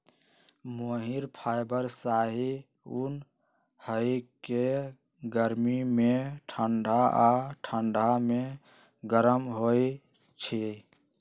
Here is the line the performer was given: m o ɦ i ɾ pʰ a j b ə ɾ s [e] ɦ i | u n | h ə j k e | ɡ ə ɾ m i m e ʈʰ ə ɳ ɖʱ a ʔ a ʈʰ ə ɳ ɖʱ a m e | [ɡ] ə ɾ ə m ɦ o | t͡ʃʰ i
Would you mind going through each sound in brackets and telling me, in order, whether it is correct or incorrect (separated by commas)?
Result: incorrect, correct